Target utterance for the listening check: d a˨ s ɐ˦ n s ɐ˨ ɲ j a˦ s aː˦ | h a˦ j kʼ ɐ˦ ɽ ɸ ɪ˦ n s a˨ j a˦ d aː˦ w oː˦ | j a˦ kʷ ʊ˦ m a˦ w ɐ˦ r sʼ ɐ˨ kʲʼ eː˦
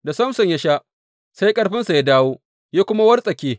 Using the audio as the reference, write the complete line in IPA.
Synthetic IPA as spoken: d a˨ s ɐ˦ m s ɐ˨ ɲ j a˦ ʃ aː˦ | s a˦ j kʼ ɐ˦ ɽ ɸ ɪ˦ n s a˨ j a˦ d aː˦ w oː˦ | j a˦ kʷ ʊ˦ m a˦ w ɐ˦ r sʼ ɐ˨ kʲ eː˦

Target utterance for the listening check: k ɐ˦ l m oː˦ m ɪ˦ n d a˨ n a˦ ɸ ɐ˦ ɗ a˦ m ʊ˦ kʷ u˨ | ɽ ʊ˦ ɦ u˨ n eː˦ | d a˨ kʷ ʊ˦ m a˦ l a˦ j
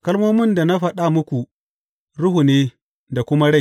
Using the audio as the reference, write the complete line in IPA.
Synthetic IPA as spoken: k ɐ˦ l m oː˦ m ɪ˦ n d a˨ n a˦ ɸ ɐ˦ ɗ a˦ m ʊ˦ kʷ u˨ | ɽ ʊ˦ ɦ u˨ n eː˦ | d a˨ kʷ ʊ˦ m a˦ ɽ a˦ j

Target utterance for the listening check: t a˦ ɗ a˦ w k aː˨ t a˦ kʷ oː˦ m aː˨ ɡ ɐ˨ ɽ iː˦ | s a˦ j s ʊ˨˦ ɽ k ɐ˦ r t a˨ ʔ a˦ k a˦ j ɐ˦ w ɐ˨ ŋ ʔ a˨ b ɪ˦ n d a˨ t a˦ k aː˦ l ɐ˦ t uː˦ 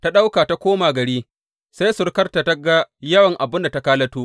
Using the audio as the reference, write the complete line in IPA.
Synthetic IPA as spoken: t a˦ ɗ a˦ w k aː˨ t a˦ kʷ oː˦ m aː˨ ɡ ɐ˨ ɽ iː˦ | s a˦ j s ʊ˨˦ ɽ k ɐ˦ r t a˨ t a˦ ɡ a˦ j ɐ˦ w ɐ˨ ŋ ʔ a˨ b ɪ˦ n d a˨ t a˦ k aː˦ l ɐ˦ t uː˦

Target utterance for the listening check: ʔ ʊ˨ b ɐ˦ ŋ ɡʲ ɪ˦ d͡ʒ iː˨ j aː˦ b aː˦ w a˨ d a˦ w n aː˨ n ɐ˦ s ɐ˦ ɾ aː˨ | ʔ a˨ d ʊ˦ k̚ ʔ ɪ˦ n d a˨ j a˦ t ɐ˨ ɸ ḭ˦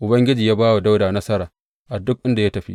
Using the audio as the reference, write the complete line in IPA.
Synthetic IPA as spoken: ʔ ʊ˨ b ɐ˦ ŋ ɡʲ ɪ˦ d͡ʒ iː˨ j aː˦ b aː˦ w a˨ d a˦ w d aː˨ n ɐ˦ s ɐ˦ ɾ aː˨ | ʔ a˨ d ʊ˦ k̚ ʔ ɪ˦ n d a˨ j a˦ t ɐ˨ ɸ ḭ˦

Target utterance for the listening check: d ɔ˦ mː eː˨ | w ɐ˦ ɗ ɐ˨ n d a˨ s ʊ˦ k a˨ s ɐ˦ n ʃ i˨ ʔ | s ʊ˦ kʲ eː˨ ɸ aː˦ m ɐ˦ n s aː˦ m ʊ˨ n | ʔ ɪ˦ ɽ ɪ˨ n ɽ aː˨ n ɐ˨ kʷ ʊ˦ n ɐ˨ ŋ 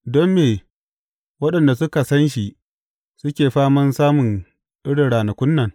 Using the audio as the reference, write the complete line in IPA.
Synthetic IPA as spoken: d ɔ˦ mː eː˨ | w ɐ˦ ɗ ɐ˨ n d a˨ s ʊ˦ k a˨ s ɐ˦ n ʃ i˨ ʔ | s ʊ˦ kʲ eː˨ ɸ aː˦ m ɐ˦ n s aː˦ m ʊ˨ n | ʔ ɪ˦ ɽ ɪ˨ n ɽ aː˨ n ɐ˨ kʷ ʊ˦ nː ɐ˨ ŋ

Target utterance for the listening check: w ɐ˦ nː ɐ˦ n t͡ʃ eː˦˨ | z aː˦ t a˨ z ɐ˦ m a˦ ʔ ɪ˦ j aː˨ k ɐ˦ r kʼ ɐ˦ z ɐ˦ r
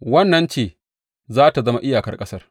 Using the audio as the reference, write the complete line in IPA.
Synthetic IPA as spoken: w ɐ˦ nː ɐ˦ n t͡ʃ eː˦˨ | z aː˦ t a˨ z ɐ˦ m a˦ ʔ ɪ˦ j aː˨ k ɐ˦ r kʼ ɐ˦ s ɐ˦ r

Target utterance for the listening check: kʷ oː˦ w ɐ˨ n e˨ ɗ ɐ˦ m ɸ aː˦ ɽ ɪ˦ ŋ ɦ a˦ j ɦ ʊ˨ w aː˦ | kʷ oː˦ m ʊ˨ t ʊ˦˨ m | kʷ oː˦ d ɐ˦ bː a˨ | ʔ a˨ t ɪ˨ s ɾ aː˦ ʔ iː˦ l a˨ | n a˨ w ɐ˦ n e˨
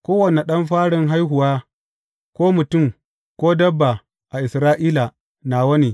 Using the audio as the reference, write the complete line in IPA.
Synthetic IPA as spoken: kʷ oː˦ w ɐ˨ n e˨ ɗ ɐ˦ m ɸ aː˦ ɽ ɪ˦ ŋ ɦ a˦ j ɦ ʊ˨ w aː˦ | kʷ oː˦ m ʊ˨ t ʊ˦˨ m | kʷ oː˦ d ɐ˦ bː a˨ | ʔ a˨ ʔ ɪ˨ s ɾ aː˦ ʔ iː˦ l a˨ | n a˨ w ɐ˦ n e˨

